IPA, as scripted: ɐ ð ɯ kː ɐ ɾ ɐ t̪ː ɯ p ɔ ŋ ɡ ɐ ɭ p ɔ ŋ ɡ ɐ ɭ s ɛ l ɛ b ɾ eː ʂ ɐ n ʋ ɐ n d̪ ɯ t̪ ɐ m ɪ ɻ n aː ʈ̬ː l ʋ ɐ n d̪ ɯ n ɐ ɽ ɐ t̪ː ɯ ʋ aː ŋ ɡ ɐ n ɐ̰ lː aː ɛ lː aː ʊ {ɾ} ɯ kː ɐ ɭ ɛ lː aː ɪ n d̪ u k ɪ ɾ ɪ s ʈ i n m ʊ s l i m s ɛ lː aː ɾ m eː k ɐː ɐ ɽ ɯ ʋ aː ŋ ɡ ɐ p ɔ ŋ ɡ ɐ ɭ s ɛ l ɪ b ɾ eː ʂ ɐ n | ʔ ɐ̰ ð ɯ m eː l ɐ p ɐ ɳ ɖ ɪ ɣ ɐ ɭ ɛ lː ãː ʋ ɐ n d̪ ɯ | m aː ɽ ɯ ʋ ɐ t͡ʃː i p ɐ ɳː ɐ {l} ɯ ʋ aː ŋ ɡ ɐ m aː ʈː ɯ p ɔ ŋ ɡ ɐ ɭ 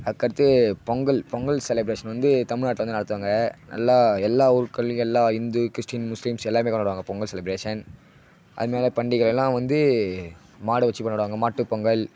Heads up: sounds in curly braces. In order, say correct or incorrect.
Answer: correct, incorrect

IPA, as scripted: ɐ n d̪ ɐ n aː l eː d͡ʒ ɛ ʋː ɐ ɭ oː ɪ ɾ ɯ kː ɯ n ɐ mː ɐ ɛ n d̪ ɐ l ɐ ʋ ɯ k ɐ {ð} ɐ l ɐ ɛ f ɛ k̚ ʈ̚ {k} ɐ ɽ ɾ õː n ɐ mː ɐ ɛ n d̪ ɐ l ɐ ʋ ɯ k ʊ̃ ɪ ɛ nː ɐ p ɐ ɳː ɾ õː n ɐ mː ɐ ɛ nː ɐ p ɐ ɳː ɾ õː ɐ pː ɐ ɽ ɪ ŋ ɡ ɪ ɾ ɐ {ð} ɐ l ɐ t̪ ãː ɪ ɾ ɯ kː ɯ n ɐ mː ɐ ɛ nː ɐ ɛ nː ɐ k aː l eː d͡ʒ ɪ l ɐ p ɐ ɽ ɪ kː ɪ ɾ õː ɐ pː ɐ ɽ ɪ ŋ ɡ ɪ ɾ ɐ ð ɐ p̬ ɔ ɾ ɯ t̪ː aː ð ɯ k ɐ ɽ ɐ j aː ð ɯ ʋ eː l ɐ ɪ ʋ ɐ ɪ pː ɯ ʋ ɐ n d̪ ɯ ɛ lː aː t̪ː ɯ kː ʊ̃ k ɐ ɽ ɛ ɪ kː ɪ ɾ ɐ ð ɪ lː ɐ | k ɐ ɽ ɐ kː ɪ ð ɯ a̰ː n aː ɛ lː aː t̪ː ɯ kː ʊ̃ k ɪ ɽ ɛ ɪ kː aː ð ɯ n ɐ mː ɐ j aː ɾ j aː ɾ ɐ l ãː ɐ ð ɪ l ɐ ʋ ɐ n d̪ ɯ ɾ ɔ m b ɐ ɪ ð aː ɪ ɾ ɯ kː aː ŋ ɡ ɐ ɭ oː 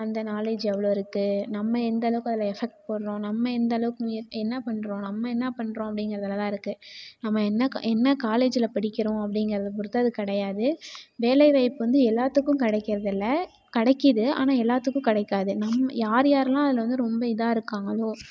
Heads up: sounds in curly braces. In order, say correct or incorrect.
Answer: correct, incorrect, correct

